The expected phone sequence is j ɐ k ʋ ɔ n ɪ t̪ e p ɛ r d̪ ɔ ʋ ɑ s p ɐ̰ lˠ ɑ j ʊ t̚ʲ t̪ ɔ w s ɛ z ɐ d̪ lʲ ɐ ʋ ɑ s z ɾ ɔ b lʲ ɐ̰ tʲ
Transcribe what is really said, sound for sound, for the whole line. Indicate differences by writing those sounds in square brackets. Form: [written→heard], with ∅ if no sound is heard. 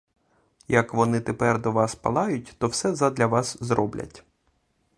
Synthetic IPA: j ɐ k ʋ ɔ n ɪ t̪ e p ɛ r d̪ ɔ ʋ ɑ s p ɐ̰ lˠ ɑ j ʊ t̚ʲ t̪ ɔ w s ɛ z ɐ d̪ lʲ ɐ ʋ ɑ s z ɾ ɔ b lʲ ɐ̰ tʲ